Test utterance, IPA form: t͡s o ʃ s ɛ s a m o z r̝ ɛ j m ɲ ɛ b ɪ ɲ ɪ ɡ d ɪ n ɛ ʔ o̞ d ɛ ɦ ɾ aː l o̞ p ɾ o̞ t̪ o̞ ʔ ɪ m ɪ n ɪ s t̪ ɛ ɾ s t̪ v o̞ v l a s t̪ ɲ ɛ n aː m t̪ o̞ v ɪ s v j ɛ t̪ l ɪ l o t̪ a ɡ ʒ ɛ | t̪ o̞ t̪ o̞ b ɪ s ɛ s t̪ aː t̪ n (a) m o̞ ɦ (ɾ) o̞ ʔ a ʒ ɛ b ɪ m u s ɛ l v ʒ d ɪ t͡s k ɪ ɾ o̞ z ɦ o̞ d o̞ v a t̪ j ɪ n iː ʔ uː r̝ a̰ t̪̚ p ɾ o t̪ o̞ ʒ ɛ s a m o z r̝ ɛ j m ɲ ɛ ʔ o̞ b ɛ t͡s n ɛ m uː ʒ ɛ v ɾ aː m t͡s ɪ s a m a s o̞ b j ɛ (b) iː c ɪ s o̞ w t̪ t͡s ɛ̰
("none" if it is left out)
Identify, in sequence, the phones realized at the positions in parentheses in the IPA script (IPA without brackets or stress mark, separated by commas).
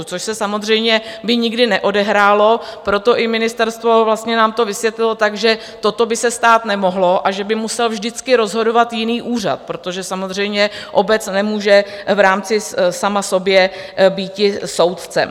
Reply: ɛ, l, b